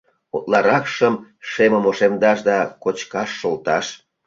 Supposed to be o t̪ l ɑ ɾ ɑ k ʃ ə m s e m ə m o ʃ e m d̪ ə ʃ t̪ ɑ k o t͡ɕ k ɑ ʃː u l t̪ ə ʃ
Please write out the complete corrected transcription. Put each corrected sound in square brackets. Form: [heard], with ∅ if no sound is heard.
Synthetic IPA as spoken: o t̪ l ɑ ɾ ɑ k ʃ ə m [ʃ] e m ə m o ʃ e m d̪ [ɑ] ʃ [d̪] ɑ k o t͡ɕ k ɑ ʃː [o] l t̪ [ɑ] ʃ